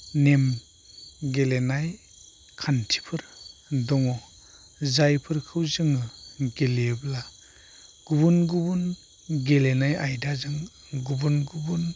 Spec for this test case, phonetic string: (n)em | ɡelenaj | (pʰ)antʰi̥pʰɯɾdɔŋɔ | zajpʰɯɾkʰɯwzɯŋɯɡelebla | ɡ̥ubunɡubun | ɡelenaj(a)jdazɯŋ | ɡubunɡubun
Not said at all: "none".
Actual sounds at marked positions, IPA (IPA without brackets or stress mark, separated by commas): n, kʰ, a